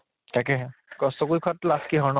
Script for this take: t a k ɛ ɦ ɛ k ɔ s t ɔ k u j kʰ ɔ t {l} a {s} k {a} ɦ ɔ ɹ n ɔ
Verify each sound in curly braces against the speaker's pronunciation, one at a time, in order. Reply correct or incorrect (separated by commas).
correct, correct, incorrect